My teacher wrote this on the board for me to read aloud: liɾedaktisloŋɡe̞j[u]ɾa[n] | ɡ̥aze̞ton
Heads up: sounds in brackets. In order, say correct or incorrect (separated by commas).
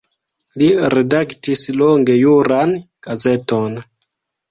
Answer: correct, correct